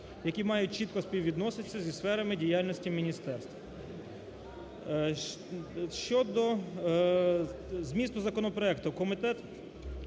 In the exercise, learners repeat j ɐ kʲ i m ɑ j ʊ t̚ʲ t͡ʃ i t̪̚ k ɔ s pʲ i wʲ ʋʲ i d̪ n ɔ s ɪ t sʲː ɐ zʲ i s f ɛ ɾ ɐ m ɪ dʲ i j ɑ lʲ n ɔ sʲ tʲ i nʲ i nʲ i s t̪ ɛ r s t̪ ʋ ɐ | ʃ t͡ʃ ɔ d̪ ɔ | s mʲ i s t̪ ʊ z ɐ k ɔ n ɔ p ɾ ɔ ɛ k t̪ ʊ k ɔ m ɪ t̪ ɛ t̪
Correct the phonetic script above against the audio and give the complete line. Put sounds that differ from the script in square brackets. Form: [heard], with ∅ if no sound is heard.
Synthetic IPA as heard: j ɐ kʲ i m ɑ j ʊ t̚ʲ t͡ʃ i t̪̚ k ɔ s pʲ i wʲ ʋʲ i d̪ n ɔ s ɪ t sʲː ɐ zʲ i s f ɛ ɾ ɐ m ɪ dʲ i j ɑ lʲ n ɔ sʲ tʲ i [mʲ] i nʲ i s t̪ ɛ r s t̪ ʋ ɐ | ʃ t͡ʃ ɔ d̪ ɔ | [z] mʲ i s t̪ ʊ z ɐ k ɔ n ɔ p ɾ ɔ ɛ k t̪ ʊ k ɔ m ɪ t̪ ɛ t̪